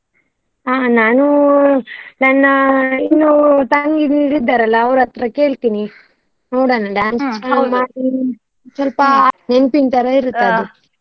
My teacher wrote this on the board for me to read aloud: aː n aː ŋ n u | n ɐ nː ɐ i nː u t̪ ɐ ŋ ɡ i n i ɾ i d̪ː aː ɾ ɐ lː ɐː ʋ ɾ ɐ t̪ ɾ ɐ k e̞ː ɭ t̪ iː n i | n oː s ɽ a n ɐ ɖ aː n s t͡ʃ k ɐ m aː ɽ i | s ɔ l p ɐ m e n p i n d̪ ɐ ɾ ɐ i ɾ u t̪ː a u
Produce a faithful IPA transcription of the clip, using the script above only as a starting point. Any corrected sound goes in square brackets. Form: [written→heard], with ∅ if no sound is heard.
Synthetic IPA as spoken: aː n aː [ŋ→∅] n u | n ɐ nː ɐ i nː u t̪ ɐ ŋ ɡ i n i ɾ i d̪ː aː ɾ ɐ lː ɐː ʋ ɾ ɐ t̪ ɾ ɐ k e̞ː ɭ t̪ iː n i | n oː [s→∅] ɽ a n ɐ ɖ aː n s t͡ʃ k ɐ m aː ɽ i | s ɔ l p ɐ [m→n] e n p i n [d̪→t̪] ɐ ɾ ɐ i ɾ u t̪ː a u